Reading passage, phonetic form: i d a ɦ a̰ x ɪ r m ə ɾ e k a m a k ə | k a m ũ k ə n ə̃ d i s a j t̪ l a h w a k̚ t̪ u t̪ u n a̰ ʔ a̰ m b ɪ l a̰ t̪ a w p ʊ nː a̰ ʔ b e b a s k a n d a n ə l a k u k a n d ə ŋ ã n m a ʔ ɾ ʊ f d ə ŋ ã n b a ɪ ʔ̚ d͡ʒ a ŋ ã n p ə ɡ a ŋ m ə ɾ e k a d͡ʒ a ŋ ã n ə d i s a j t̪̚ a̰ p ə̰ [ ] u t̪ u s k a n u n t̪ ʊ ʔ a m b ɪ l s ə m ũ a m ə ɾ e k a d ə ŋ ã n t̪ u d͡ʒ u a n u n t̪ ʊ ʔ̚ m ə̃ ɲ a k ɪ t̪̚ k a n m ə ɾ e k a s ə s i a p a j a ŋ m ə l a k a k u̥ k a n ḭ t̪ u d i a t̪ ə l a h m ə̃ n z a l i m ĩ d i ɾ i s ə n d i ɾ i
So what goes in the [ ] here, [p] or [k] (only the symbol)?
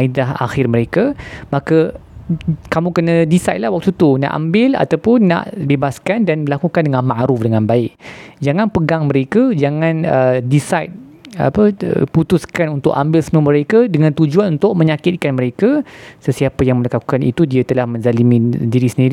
p